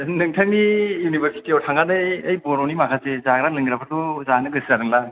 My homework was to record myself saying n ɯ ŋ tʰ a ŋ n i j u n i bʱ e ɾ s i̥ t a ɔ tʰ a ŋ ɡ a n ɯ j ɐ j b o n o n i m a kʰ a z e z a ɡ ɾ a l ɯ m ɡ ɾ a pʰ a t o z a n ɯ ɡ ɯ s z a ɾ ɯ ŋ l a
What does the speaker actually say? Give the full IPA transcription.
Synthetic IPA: n ɯ ŋ tʰ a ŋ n i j u n i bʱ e ɾ s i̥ t i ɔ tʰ a ŋ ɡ a n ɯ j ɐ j b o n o n i m a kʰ a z e z a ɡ ɾ a l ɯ ŋ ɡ ɾ a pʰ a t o z a n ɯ ɡ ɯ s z a ɾ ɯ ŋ l a

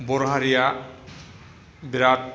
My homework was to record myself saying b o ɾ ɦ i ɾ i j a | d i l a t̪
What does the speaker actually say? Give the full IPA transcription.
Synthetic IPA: b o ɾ ɦ a ɾ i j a | b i ɾ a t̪

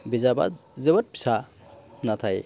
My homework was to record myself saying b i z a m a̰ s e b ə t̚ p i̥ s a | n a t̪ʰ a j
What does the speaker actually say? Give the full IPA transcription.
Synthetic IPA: b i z a b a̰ z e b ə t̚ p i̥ s a | n a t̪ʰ a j

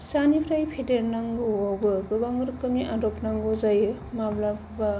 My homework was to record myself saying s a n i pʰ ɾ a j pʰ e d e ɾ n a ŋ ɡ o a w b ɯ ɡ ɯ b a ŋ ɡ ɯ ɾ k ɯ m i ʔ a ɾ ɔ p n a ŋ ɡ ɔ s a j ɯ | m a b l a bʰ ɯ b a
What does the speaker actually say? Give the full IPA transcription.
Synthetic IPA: s a n i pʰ ɾ a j pʰ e d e ɾ n a ŋ ɡ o a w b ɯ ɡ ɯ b a ŋ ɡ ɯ ɾ k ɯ m i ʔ a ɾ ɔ p n a ŋ ɡ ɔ z a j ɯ | m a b l a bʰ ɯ b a

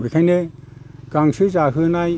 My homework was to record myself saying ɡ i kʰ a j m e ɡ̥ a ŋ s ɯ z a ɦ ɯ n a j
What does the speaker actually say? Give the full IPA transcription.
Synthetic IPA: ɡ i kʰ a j n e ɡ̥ a ŋ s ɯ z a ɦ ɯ n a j

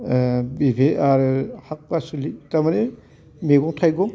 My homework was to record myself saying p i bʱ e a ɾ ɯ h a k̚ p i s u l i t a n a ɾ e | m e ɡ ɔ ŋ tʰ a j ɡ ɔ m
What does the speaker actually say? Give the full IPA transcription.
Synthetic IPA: b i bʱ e a ɾ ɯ h a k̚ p a s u l i t a m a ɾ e | m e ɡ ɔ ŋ tʰ a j ɡ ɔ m

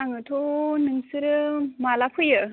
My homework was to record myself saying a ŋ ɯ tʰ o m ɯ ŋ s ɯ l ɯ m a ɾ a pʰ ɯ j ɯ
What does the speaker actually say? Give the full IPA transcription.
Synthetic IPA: a ŋ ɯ tʰ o n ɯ ŋ s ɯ ɾ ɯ m a l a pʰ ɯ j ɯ

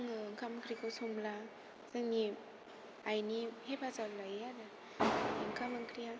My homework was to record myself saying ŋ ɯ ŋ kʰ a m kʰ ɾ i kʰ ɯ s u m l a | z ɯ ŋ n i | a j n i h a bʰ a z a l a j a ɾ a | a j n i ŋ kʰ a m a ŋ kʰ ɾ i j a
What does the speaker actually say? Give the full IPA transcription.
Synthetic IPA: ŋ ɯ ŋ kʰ a m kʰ ɾ i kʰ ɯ s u m l a | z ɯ ŋ n i | a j n i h e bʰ a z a l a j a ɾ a | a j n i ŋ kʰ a m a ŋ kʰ ɾ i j a

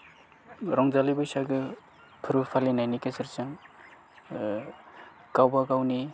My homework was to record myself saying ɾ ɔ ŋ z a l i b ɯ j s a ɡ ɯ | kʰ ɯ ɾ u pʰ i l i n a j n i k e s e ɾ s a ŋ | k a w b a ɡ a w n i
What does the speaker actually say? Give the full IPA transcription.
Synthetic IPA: ɾ ɔ ŋ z a l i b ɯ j s a ɡ ɯ | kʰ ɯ ɾ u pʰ a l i n a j n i k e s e ɾ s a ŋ | k a w b a ɡ a w n i

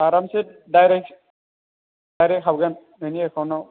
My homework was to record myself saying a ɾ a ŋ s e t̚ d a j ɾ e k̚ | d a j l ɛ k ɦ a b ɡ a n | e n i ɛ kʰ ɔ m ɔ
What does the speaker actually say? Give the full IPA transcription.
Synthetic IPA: a ɾ a m s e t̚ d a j ɾ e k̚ | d a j ɾ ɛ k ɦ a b ɡ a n | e n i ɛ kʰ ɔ n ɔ

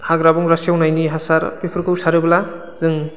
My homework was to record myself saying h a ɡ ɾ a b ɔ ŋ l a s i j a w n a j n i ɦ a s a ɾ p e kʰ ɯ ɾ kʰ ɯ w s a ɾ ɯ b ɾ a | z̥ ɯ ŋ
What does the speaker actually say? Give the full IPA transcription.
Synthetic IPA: h a ɡ ɾ a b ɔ ŋ ɾ a s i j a w n a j n i ɦ a s a ɾ p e pʰ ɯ ɾ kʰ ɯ w s a ɾ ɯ b l a | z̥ ɯ ŋ

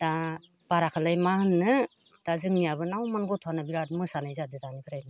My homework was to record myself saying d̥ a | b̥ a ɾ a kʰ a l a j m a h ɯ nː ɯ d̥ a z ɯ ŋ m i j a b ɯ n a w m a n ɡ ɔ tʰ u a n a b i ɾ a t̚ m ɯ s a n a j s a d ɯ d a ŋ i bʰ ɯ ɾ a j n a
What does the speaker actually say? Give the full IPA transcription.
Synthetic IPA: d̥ a | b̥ a ɾ a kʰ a l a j m a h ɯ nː ɯ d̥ a z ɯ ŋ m i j a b ɯ n a w m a n ɡ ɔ tʰ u a n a b i ɾ a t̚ m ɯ s a n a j z a d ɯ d a n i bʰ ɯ ɾ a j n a

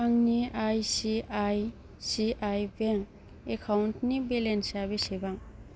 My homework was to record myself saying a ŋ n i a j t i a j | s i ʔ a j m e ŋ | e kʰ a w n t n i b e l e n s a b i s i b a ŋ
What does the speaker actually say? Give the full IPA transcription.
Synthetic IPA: a ŋ n i a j s i a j | s i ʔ a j b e ŋ | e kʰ a w n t n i b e l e n s a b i s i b a ŋ

